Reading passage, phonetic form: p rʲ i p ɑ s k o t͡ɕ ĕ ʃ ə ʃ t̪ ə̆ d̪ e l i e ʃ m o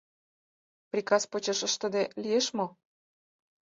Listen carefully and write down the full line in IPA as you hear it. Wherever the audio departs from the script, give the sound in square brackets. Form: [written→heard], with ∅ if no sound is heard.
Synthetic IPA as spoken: p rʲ i [p→k] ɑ s [k→p] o t͡ɕ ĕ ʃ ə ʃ t̪ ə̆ d̪ e l i e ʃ m o